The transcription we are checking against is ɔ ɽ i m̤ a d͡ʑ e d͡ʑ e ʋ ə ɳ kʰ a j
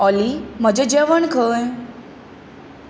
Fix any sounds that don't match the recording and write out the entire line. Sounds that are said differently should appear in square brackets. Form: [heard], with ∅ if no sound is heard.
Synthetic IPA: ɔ [l] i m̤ [ə] d͡ʑ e d͡ʑ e ʋ ə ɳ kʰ [ə] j